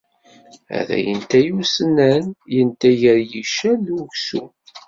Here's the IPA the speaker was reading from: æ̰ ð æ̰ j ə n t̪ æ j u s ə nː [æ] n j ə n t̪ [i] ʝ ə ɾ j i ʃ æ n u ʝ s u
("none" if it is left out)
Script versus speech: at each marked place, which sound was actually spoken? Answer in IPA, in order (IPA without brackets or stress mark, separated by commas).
æ, æ